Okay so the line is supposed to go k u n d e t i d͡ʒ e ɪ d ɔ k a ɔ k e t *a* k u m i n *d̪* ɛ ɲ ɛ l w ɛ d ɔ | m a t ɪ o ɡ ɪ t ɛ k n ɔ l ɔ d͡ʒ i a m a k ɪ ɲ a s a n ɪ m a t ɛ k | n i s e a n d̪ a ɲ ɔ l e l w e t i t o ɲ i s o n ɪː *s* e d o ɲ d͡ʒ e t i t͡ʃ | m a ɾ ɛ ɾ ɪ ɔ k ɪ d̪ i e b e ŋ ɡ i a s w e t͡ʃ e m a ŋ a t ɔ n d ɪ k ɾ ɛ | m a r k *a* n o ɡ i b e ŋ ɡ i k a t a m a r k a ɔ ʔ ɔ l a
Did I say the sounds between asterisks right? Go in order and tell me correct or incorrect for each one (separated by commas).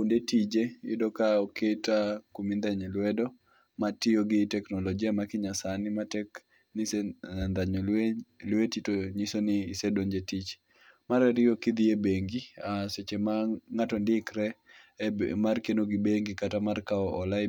correct, correct, correct, incorrect